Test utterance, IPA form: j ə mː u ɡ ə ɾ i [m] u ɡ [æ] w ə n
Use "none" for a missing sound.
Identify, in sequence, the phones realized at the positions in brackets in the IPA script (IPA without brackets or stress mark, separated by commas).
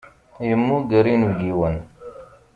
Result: n, i